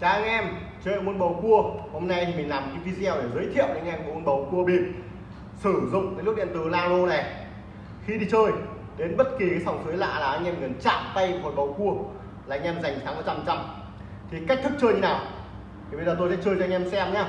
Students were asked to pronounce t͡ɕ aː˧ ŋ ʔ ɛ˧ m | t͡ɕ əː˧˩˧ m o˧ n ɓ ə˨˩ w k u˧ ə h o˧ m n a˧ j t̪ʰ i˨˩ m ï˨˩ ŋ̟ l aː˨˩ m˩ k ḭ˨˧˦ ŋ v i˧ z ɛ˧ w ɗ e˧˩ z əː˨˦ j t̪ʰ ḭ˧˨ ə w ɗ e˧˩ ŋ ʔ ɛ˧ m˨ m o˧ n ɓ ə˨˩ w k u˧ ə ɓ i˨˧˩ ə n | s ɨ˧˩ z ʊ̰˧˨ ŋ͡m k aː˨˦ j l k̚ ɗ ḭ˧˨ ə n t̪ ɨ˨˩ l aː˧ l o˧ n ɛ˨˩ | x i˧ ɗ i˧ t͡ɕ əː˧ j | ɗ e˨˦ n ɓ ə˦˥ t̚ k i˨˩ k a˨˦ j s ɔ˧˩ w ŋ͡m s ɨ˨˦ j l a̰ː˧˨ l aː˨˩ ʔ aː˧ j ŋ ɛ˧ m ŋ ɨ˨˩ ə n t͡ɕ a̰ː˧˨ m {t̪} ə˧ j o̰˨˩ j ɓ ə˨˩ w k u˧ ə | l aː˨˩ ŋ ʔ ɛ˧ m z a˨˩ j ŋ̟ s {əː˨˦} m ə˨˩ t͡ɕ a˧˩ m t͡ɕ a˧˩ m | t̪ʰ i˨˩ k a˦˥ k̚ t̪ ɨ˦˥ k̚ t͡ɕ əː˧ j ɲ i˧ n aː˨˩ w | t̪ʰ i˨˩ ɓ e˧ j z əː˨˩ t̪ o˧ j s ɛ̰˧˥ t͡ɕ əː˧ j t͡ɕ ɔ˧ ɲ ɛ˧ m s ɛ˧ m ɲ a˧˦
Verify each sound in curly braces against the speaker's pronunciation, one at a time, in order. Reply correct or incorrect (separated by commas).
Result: correct, incorrect